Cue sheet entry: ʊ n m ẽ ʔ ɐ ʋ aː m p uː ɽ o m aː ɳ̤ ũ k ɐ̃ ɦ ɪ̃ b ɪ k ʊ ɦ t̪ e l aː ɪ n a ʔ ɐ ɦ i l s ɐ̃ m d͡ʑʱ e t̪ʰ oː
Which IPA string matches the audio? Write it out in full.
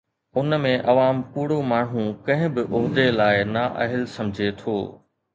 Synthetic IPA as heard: ʊ n m ẽ ʔ ɐ ʋ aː m p uː ɽ o m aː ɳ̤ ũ k ɐ̃ ɦ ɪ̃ b ɪ ʔ ʊ ɦ d̪ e l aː ɪ n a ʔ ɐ ɦ ɪ l s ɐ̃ m d͡ʑʱ e t̪ʰ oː